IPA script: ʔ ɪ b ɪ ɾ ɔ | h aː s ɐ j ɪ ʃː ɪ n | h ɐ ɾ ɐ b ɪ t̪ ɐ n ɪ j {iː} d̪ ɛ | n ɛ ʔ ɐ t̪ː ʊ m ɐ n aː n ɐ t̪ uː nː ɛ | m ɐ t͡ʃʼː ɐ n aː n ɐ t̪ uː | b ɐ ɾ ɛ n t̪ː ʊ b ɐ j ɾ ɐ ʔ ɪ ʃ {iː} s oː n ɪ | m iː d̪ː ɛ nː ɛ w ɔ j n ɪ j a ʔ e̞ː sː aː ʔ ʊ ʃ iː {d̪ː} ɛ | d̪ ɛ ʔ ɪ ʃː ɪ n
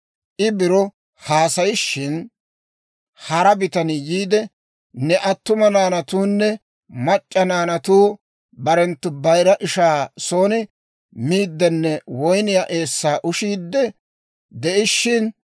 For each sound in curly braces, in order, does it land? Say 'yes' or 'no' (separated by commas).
yes, no, yes